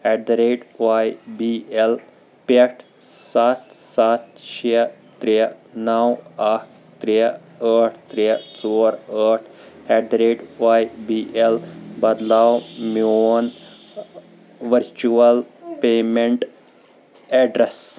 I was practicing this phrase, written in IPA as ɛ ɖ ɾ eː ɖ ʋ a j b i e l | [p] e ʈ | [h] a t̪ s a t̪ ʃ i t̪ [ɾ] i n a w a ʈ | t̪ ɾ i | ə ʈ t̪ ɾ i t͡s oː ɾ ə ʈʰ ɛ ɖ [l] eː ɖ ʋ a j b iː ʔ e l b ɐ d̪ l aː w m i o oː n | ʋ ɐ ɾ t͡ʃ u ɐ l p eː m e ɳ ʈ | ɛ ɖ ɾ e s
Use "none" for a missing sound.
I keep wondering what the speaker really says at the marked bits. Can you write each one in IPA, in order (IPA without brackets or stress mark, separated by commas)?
p, s, ɾ, ɾ